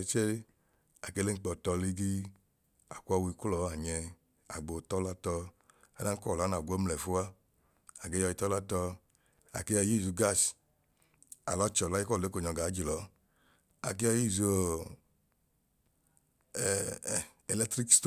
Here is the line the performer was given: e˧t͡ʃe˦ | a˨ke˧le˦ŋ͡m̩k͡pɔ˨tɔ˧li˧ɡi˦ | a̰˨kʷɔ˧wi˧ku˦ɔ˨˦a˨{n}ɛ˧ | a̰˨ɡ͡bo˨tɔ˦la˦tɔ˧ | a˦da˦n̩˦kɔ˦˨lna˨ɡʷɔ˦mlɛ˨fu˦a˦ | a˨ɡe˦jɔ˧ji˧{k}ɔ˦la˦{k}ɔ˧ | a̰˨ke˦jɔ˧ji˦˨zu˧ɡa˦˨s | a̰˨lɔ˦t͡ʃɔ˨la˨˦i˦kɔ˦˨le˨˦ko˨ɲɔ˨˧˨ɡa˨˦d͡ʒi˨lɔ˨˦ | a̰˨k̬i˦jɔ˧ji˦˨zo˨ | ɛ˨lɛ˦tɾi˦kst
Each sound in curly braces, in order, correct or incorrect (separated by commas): incorrect, incorrect, incorrect